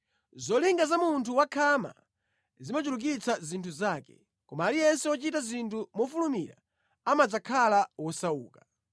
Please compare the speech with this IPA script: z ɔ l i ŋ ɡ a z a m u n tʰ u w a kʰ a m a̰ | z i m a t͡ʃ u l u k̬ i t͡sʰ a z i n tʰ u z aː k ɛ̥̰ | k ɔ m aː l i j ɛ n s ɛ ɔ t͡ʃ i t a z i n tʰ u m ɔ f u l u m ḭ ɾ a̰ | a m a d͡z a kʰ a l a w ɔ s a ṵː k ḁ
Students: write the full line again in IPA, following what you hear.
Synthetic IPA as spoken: z ɔ l i ŋ ɡ a z a m u n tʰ u w a kʰ a m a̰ | z i m a t͡ʃ u l u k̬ i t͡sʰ a z i n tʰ u z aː k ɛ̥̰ | k ɔ m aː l i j ɛ n s ɛ ɔ t͡ʃ i t a z i n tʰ u m ɔ f u l u m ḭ ɾ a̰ | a m a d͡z a kʰ a l a w ɔ s a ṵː k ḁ